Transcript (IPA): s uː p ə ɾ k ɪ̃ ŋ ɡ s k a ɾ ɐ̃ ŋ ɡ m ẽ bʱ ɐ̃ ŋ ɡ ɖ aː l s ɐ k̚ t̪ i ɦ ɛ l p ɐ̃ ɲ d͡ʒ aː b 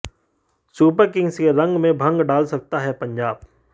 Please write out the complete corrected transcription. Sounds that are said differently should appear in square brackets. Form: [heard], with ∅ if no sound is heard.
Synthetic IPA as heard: s uː p ə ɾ k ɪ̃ ŋ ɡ s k [e] ɾ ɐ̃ ŋ ɡ m ẽ bʱ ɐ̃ ŋ ɡ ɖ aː l s ɐ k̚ t̪ [a] ɦ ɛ [∅] p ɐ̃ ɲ d͡ʒ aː b